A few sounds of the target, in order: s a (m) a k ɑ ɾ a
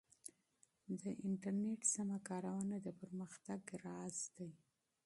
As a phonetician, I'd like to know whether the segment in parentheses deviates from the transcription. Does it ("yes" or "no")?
no